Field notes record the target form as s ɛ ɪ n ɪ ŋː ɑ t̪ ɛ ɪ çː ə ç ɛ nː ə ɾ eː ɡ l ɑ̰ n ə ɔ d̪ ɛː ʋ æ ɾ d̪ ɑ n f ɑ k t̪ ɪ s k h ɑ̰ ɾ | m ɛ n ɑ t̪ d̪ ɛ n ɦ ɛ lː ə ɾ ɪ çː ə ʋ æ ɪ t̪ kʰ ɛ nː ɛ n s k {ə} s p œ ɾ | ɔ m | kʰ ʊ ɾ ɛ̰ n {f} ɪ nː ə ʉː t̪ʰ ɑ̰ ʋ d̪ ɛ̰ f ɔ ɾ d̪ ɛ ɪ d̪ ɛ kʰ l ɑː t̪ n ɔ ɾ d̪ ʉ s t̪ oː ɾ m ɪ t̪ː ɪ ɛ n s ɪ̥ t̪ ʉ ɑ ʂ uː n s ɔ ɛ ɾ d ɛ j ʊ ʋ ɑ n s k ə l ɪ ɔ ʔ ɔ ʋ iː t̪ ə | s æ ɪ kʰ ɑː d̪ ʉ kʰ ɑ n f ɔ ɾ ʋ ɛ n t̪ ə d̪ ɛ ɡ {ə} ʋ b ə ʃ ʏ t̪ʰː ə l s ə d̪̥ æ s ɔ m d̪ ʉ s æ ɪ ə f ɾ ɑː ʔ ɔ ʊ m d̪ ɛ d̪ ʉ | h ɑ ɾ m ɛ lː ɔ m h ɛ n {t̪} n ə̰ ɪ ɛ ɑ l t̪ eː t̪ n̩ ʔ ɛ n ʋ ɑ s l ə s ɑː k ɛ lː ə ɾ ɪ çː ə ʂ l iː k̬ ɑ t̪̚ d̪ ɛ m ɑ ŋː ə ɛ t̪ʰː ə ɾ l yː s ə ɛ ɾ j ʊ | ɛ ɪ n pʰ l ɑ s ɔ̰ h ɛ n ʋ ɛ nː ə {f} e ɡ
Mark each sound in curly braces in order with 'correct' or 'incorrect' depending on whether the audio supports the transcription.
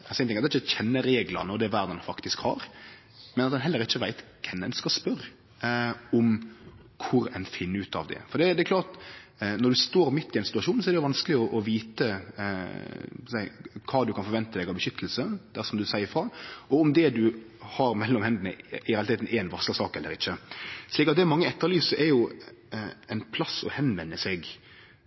incorrect, correct, incorrect, incorrect, incorrect

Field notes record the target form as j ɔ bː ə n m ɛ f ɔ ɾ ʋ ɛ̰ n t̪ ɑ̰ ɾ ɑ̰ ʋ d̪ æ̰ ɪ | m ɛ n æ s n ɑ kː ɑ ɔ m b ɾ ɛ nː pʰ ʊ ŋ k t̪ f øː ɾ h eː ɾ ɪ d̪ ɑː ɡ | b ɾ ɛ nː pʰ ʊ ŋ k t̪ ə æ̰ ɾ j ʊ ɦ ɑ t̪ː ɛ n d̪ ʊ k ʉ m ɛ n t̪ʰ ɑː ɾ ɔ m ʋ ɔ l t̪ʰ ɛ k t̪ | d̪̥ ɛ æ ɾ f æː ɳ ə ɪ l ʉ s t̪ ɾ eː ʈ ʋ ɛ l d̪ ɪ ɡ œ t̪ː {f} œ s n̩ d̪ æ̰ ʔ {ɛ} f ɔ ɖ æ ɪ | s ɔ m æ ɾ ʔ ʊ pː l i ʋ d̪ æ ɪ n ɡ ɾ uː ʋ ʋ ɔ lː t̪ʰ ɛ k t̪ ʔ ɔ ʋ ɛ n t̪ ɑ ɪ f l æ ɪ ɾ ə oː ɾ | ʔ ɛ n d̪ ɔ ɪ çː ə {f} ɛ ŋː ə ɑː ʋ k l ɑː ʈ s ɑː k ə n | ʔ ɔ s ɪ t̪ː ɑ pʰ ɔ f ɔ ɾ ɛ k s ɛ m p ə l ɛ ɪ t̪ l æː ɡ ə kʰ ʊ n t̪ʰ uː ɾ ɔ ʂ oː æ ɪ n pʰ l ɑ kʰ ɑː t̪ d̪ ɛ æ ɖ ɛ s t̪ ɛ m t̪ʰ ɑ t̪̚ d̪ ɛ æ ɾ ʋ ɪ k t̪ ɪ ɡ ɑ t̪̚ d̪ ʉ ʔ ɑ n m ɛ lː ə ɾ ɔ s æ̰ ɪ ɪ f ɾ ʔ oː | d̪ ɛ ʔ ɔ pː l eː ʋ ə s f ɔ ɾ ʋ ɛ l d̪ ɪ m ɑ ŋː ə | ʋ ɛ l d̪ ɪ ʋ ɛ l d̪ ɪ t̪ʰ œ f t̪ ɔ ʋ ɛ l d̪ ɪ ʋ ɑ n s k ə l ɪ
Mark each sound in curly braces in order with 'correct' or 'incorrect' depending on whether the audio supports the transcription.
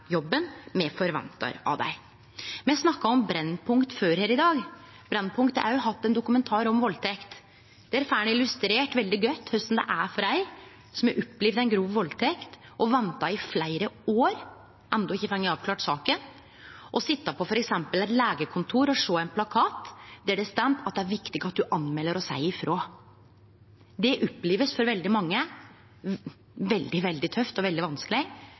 incorrect, incorrect, correct

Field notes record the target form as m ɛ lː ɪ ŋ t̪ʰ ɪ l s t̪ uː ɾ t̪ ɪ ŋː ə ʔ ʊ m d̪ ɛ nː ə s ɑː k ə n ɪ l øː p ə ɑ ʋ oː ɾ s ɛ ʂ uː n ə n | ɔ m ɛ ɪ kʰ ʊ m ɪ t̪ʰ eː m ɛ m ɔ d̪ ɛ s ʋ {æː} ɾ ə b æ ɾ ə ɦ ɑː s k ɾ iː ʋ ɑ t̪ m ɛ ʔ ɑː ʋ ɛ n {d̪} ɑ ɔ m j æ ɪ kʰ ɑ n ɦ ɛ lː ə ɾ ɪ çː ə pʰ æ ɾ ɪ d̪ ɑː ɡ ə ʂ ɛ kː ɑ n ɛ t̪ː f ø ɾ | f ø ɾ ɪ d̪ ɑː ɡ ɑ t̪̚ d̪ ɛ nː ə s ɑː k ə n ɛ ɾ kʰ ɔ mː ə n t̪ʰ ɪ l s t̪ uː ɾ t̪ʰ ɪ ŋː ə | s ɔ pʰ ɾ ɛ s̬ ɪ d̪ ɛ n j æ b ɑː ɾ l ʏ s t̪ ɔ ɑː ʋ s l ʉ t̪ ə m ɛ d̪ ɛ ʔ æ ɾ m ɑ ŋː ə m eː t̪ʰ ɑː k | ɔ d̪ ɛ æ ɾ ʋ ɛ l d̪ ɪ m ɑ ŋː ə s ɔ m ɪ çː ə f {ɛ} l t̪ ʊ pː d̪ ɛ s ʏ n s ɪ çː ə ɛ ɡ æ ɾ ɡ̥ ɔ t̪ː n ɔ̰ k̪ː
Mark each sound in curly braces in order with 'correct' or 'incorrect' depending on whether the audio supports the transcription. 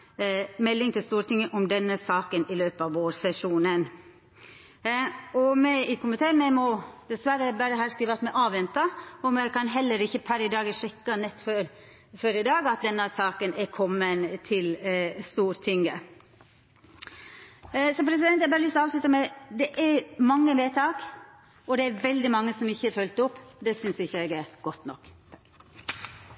incorrect, incorrect, incorrect

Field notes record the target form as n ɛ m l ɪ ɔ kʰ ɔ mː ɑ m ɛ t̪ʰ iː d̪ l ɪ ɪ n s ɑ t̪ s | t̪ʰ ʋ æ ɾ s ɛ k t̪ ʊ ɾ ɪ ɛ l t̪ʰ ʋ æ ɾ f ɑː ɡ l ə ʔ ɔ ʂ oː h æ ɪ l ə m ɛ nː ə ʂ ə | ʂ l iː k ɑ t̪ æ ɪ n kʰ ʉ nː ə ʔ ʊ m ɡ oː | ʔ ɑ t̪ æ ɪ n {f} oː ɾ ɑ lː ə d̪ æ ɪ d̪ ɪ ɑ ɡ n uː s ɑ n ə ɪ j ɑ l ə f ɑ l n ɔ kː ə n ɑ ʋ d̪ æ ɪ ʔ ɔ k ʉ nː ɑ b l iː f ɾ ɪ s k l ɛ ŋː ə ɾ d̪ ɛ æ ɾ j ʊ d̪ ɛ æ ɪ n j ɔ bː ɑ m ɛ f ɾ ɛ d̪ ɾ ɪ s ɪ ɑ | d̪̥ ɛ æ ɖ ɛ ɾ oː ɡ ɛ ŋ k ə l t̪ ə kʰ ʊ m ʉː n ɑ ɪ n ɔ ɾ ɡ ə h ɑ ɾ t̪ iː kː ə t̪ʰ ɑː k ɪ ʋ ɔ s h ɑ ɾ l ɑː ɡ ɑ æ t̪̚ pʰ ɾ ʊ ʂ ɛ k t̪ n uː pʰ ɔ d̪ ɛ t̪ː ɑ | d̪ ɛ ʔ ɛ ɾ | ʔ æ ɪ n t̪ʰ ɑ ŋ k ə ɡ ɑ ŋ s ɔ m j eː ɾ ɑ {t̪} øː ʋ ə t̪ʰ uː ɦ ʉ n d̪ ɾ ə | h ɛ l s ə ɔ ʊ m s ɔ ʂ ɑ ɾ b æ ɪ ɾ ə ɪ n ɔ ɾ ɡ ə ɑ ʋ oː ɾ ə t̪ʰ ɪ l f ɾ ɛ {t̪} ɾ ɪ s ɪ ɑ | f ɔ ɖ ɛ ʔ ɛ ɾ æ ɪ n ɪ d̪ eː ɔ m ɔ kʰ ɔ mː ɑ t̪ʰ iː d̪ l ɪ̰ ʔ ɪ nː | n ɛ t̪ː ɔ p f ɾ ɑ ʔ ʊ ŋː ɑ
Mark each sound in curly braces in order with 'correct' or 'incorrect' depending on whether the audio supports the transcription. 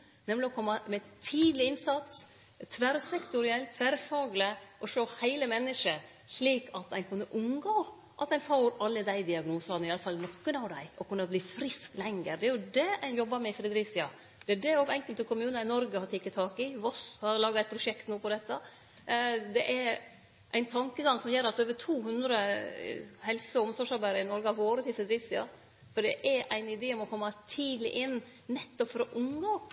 correct, correct, incorrect

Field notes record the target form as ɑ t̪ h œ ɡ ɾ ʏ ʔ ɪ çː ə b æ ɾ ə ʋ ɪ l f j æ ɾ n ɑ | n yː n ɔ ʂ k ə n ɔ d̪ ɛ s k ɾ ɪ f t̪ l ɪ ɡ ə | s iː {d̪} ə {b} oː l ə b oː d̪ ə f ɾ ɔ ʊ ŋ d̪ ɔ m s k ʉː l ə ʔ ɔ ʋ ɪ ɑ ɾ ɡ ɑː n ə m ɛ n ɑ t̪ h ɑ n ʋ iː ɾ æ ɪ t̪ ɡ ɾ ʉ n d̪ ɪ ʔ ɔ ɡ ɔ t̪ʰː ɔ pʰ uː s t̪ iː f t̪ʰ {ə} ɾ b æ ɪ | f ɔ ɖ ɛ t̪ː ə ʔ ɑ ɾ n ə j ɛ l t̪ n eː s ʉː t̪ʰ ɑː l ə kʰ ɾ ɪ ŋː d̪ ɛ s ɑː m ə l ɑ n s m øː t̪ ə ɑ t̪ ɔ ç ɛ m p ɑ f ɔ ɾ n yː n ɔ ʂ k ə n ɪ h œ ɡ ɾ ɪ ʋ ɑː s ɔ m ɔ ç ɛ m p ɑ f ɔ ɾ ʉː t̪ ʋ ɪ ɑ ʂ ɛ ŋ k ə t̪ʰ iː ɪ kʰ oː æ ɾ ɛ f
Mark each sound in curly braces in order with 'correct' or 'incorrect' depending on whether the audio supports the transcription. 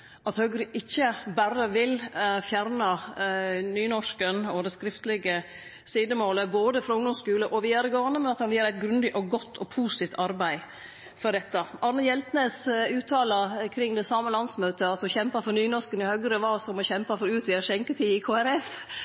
correct, incorrect, incorrect

